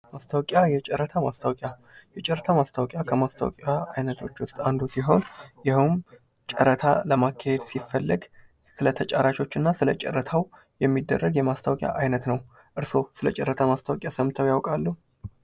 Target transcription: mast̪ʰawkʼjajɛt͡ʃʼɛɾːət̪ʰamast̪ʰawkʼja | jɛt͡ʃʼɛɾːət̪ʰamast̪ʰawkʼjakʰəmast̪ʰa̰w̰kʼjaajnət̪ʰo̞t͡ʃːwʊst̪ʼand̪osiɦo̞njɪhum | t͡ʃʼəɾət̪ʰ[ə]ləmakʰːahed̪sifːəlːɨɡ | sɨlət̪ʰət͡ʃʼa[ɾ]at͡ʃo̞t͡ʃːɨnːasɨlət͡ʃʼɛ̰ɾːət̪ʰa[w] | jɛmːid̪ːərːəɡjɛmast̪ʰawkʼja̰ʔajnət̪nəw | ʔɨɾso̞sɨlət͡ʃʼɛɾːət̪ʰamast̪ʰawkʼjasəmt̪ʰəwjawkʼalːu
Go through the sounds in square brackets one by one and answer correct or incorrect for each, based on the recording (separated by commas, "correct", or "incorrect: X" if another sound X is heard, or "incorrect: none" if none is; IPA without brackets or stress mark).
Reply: incorrect: a, correct, correct